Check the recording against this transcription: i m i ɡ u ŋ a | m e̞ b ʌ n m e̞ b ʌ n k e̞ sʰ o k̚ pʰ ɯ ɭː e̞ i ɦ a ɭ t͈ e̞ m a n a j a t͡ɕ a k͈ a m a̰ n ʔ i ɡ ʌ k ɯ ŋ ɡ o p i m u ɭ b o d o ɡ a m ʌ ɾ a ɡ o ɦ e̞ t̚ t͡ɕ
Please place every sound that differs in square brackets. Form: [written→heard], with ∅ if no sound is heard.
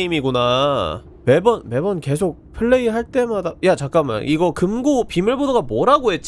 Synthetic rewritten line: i m i ɡ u [ŋ→n] a | m e̞ b ʌ n m e̞ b ʌ n k e̞ sʰ o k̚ pʰ ɯ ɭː e̞ i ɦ a ɭ t͈ e̞ m a [n→d] a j a t͡ɕ a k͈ a m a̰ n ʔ i ɡ ʌ k ɯ [ŋ→m] ɡ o p i m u ɭ b o d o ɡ a m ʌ ɾ a ɡ o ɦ e̞ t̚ t͡ɕ